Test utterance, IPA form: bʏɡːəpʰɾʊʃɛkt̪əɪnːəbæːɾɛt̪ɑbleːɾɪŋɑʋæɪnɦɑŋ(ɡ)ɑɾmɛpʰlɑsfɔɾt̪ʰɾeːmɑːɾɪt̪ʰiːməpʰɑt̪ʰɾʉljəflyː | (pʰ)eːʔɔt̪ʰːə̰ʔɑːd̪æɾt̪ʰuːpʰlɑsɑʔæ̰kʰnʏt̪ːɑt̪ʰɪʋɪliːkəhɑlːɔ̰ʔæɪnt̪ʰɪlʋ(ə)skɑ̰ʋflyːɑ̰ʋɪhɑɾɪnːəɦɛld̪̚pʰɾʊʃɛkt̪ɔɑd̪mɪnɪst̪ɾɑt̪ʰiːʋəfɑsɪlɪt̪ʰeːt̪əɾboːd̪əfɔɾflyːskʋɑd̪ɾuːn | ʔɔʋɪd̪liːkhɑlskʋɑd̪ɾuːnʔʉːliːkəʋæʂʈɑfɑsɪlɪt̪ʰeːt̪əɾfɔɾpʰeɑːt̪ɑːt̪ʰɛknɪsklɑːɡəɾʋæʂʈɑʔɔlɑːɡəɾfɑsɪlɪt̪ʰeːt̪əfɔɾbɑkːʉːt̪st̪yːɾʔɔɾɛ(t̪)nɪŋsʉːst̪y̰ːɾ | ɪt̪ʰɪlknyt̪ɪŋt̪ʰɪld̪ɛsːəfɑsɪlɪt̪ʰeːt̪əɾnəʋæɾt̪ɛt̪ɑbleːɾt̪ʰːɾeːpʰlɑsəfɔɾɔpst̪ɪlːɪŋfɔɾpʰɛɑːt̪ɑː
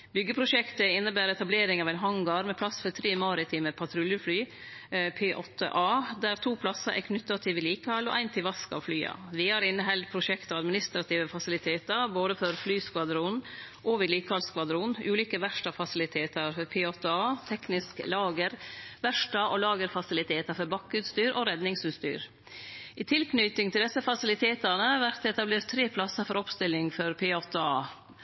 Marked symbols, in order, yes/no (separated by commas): yes, yes, no, no